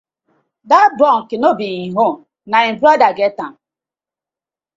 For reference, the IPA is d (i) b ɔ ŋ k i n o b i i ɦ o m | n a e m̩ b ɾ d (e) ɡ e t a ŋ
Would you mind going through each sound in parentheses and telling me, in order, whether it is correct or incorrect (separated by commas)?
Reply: incorrect, incorrect